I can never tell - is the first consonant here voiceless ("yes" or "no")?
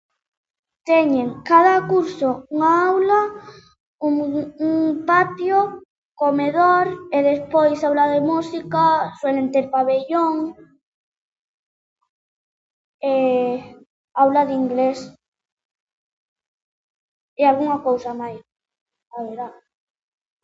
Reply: yes